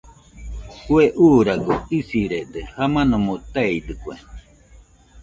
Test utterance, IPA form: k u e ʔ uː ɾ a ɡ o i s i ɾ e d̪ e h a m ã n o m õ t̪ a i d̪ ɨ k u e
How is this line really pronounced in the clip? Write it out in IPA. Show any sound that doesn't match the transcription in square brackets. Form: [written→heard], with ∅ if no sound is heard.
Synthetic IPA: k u e ʔ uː ɾ a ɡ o i s i ɾ e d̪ e h a m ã n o m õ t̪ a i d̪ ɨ k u e